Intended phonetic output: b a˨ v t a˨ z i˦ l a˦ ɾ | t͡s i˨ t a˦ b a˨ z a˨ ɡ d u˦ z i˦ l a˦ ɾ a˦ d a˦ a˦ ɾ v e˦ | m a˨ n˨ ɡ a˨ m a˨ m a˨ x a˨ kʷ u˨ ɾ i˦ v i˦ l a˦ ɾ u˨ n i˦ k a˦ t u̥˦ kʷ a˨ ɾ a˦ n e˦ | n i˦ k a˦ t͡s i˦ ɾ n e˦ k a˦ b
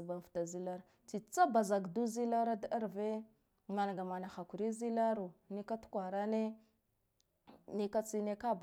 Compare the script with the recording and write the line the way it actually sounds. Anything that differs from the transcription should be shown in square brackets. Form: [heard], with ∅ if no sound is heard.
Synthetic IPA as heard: b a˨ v t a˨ z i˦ l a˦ ɾ | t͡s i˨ [t͡s] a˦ b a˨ z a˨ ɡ d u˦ z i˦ l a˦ ɾ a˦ d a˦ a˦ ɾ v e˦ | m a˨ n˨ ɡ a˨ m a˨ [n] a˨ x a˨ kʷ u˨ ɾ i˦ [z] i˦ l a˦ ɾ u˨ n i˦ k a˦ t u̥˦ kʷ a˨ ɾ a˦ n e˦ | n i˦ k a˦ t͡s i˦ [∅] n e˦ k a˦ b